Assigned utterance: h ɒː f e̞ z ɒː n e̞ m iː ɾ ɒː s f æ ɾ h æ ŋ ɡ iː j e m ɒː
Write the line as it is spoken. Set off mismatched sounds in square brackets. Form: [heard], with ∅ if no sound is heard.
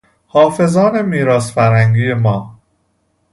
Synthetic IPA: h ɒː f e̞ z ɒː n e̞ m iː ɾ ɒː s f æ ɾ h æ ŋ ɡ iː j e m ɒː